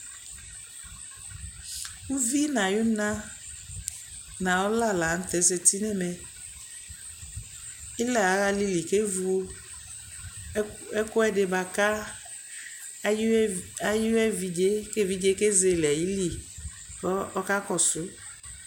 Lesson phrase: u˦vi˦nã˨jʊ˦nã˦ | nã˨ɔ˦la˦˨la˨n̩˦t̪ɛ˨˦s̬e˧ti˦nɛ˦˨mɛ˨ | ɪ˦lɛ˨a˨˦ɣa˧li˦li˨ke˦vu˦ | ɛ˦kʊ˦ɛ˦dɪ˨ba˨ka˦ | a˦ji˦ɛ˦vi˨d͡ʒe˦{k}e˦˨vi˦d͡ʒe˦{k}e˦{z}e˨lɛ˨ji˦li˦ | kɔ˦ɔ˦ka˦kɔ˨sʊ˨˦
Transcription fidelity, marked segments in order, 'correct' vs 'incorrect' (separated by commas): correct, correct, correct